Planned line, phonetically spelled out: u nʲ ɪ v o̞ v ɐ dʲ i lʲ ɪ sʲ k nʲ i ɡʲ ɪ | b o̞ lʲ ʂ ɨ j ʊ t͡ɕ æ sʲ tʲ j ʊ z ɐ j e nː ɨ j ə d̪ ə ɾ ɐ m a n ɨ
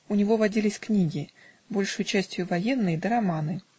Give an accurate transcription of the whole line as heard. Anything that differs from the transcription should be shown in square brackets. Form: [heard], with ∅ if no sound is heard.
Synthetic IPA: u nʲ ɪ v o̞ v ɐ dʲ i lʲ ɪ sʲ k nʲ i ɡʲ ɪ | b o̞ lʲ ʂ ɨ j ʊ t͡ɕ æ sʲ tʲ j ʊ [v] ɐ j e nː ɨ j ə d̪ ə ɾ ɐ m a n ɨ